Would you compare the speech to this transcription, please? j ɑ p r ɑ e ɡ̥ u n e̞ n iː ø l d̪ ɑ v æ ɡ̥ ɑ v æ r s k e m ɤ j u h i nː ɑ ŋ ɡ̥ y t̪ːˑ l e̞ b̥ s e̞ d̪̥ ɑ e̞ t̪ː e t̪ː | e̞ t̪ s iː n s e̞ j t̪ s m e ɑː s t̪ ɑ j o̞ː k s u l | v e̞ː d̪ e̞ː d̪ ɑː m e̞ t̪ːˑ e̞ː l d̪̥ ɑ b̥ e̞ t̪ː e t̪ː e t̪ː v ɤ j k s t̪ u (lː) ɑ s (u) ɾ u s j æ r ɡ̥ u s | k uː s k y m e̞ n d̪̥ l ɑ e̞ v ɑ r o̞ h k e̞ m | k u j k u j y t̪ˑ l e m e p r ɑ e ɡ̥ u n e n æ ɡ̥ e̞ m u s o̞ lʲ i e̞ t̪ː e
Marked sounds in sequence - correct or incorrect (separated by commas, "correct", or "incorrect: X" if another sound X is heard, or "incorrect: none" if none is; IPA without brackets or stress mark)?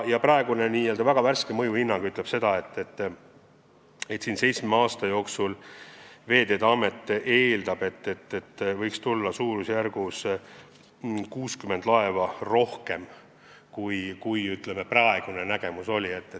correct, incorrect: uː